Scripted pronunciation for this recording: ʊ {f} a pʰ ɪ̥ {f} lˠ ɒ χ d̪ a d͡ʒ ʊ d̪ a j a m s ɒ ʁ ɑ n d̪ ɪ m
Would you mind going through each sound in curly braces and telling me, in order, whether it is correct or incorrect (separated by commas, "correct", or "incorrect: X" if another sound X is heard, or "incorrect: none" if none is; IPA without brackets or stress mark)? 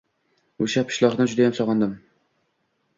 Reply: incorrect: ʃ, incorrect: ʃ